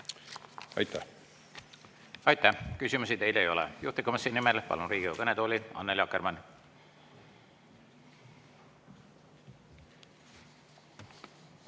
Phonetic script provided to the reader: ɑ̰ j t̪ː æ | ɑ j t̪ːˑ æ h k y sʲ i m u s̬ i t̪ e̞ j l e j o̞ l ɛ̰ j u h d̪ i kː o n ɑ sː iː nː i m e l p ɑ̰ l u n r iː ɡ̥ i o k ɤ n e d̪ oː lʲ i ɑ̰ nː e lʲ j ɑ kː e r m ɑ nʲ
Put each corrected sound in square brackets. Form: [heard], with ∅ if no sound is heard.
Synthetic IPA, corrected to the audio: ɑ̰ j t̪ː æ | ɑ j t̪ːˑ æ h k y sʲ i m u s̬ i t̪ e̞ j l e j o̞ l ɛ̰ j u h [t̪] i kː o [m] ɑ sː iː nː i m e l p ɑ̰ l u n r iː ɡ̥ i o k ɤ n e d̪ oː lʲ i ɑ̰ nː e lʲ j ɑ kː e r m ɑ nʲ